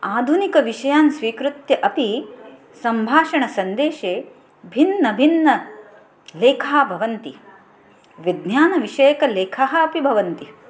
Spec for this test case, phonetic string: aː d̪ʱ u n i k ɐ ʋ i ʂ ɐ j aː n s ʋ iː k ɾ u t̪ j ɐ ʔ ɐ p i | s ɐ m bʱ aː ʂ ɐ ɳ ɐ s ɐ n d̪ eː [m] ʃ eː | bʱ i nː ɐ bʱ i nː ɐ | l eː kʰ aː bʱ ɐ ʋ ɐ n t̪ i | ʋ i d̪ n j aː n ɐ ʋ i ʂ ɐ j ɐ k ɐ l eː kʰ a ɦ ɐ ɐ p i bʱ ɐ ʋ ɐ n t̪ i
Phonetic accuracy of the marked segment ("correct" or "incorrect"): incorrect